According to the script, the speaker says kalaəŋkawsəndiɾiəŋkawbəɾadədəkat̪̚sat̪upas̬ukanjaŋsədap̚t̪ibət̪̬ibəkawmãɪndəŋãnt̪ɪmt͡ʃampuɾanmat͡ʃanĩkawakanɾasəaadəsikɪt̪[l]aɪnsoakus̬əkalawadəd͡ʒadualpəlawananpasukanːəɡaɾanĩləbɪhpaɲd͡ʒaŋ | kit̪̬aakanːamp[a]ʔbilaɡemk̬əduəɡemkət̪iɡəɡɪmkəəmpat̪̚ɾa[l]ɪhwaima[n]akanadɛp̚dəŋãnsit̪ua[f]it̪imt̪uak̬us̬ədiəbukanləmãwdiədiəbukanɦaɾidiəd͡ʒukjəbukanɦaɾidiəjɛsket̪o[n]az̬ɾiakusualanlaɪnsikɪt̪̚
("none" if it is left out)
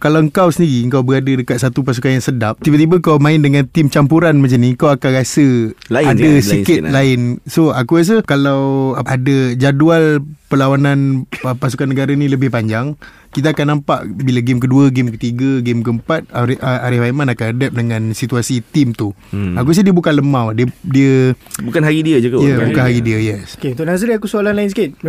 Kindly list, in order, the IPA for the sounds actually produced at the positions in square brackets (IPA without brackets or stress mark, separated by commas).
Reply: l, a, ɾ, n, s, n